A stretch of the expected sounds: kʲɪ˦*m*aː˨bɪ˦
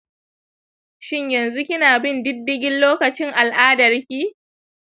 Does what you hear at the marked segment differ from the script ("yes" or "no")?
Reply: yes